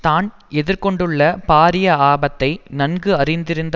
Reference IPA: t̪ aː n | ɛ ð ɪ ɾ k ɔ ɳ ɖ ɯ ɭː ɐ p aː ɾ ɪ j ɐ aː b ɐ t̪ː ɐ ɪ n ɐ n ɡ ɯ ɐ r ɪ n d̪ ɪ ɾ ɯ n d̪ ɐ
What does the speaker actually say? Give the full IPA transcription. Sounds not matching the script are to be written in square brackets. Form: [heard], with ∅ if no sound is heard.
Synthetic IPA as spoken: t̪ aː n | ɛ ð ɪ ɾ k ɔ ɳ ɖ ɯ ɭː ɐ p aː ɾ ɪ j ɐ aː b ɐ t̪ː ɐ ɪ n ɐ n ɡ ɯ ɐ r ɪ n d̪ ɪ ɾ ɯ n d̪ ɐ

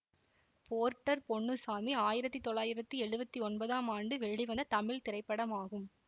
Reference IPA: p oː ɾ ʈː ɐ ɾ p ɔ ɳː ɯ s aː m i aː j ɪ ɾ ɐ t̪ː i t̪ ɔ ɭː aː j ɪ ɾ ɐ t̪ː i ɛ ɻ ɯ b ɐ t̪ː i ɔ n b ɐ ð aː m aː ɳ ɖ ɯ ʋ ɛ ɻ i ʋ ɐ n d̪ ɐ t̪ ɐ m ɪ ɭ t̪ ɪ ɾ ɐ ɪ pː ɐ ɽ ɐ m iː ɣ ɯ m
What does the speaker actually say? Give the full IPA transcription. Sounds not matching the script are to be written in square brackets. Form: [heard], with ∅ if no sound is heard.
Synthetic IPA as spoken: p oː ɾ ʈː ɐ ɾ p ɔ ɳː ɯ s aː m i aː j ɪ ɾ ɐ t̪ː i t̪ ɔ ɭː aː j ɪ ɾ ɐ t̪ː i ɛ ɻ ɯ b ɐ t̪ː i ɔ n b ɐ ð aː m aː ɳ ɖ ɯ ʋ ɛ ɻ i ʋ ɐ n d̪ ɐ t̪ ɐ m ɪ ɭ t̪ ɪ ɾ ɐ ɪ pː ɐ ɽ ɐ m [aː] ɣ ɯ m

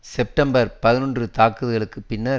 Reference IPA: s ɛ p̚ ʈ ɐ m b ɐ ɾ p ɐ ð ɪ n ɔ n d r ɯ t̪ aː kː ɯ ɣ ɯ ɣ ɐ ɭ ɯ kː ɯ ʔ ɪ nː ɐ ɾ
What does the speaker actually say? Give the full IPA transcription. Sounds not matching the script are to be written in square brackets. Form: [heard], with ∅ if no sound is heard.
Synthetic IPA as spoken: s ɛ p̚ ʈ ɐ m b ɐ ɾ p ɐ ð ɪ n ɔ n d r ɯ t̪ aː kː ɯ [ð] ɯ ɣ ɐ ɭ ɯ kː ɯ [p] ɪ nː ɐ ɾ

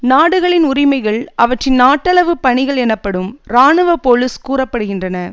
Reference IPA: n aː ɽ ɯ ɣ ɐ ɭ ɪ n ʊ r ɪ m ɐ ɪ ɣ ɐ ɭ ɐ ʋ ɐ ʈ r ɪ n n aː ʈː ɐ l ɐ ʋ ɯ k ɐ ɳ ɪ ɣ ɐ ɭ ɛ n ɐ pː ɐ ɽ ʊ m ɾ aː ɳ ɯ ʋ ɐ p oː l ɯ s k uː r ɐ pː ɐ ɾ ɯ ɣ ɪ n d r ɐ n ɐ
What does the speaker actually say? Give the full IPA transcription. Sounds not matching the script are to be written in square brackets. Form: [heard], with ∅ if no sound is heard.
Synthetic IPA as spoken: n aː ɽ ɯ ɣ ɐ ɭ ɪ n ʊ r ɪ m ɐ ɪ ɣ ɐ ɭ ɐ ʋ ɐ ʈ r ɪ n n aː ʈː ɐ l ɐ ʋ ɯ [p] ɐ ɳ ɪ ɣ ɐ ɭ ɛ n ɐ pː ɐ ɽ [ɯ] m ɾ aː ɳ ɯ ʋ ɐ p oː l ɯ s k uː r ɐ pː ɐ [ɽ] ɯ ɣ ɪ n d r ɐ n ɐ

